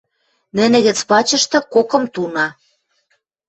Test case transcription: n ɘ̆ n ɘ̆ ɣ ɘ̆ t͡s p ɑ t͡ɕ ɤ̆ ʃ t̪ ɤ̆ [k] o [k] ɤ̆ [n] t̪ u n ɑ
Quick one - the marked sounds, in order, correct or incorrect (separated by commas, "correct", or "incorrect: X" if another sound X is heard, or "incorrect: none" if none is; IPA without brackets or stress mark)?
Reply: correct, correct, incorrect: m